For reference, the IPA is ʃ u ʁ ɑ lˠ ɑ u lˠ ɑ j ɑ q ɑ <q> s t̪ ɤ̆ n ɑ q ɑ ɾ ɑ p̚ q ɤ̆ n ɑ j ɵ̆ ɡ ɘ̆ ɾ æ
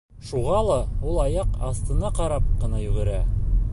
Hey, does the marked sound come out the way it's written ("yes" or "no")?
no